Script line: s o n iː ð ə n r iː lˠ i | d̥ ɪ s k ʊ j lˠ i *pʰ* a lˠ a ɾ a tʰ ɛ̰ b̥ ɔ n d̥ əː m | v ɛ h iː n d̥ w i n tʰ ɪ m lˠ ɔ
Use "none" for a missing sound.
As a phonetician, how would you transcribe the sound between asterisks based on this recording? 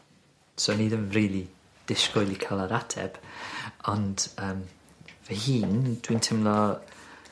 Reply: kʰ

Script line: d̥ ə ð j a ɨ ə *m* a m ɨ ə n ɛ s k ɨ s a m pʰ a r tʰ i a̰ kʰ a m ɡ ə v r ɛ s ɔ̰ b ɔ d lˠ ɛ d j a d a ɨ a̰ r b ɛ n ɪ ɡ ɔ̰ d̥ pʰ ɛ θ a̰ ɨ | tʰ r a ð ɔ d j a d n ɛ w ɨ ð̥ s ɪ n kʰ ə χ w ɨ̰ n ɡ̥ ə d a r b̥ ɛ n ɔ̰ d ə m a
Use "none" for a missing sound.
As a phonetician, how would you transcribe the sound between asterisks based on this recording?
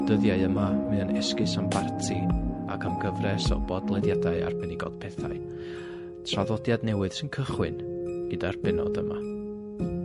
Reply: m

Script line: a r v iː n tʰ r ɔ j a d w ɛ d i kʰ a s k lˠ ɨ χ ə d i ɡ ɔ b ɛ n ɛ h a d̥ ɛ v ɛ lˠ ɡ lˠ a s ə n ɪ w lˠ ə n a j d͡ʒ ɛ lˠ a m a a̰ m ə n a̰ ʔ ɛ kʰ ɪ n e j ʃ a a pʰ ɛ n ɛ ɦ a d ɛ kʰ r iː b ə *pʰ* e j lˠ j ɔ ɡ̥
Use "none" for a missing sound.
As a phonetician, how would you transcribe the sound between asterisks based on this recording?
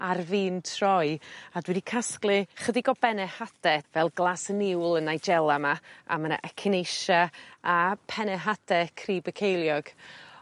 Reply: kʰ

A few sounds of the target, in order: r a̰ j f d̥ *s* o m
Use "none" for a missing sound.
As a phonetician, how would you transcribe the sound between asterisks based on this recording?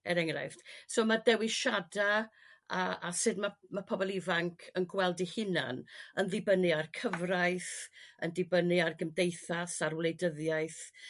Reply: s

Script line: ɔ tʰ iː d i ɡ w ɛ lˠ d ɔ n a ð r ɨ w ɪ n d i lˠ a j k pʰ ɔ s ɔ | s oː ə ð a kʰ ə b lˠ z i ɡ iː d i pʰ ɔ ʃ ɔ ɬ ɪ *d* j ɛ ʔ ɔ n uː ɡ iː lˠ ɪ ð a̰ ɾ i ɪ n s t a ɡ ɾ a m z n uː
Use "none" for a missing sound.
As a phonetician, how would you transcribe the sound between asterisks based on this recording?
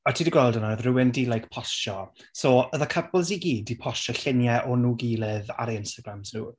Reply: n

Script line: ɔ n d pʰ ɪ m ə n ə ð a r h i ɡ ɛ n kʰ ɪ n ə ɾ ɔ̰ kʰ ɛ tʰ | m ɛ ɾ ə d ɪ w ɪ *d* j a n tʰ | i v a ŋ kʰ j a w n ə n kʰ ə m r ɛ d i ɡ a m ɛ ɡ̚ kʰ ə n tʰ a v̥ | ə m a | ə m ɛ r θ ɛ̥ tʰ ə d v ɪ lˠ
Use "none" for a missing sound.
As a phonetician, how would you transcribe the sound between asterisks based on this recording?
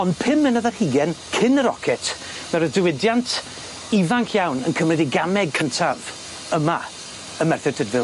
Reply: d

